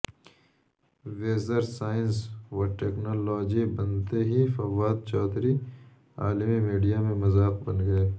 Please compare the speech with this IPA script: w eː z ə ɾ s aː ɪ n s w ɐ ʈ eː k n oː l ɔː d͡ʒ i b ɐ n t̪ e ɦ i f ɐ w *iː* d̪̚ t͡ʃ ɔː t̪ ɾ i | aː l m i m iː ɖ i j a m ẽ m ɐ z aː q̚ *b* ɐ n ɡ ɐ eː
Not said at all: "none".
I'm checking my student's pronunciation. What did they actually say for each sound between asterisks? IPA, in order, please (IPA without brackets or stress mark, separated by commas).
aː, b